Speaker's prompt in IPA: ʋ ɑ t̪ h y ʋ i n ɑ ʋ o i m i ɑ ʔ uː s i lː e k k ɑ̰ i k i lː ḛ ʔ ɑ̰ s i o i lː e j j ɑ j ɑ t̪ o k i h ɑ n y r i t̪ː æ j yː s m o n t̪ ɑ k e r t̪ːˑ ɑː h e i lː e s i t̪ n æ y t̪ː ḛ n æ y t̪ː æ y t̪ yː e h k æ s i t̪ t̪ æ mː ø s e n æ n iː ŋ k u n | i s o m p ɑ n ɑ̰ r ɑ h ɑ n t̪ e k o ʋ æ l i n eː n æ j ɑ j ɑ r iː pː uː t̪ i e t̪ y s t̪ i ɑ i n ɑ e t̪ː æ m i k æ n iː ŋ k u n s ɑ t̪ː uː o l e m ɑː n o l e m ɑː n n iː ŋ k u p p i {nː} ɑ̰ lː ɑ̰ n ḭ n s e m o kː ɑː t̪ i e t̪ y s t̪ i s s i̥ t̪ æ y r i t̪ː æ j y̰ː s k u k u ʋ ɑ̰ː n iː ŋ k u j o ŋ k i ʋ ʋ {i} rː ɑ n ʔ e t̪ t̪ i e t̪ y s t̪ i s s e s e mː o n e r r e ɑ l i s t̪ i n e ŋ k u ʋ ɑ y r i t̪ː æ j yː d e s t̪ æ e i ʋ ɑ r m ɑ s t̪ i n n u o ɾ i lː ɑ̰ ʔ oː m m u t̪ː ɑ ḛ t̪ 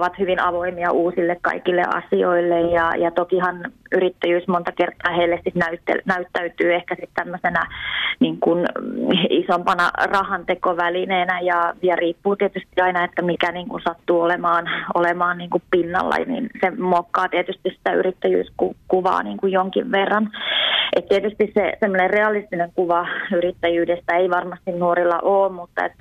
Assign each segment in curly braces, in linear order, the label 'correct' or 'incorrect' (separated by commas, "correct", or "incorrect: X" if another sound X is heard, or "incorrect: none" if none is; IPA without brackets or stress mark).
correct, incorrect: e